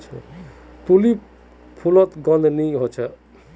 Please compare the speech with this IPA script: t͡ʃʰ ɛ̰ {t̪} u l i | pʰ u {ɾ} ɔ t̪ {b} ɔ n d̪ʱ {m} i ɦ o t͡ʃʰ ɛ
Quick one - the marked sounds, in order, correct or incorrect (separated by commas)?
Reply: correct, incorrect, incorrect, incorrect